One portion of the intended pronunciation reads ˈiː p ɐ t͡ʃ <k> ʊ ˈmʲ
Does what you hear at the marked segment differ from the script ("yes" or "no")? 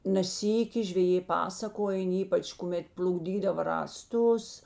no